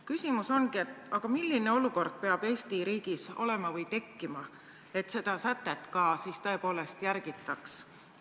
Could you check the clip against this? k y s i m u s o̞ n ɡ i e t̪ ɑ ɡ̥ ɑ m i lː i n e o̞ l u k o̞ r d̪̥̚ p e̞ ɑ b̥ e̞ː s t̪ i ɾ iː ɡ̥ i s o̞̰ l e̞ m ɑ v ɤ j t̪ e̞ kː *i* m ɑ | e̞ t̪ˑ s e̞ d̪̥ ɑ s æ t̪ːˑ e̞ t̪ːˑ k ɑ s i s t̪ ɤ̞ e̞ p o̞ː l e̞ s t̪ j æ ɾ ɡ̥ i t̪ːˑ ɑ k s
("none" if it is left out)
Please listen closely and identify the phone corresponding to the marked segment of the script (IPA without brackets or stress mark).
i